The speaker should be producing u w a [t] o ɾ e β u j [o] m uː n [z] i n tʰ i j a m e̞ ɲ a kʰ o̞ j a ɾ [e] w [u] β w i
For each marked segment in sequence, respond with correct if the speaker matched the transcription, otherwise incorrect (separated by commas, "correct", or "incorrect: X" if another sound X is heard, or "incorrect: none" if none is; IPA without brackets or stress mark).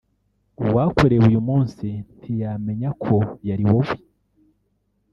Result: incorrect: k, incorrect: u, incorrect: s, incorrect: i, incorrect: o